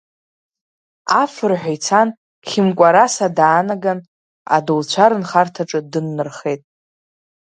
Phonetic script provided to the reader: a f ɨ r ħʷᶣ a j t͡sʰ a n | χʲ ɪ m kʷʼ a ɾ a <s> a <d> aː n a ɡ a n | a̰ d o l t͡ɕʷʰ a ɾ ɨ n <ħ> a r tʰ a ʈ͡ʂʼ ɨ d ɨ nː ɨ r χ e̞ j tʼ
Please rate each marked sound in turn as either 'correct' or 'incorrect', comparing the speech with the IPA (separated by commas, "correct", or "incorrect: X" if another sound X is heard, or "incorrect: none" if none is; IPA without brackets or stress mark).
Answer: correct, correct, incorrect: χ